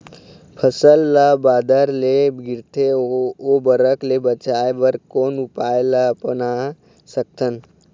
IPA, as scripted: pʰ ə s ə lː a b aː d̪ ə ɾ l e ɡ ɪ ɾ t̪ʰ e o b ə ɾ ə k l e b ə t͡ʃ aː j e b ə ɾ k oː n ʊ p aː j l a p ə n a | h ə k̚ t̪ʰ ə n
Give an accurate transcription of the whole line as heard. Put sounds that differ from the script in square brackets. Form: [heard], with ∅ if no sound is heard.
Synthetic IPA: pʰ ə s ə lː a b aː d̪ ə ɾ l e ɡ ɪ ɾ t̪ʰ e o b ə ɾ ə k l e b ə t͡ʃ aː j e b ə ɾ k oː n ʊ p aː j l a p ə n a | [s] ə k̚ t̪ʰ ə n